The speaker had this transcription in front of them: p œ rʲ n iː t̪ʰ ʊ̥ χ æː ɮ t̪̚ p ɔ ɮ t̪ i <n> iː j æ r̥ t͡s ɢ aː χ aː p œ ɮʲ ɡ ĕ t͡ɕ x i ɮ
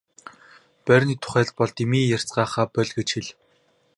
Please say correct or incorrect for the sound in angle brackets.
incorrect